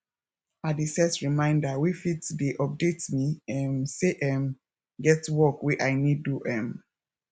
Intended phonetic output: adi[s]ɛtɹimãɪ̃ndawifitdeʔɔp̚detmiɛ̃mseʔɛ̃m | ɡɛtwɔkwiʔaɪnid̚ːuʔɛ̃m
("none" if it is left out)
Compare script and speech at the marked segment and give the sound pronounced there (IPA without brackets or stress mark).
s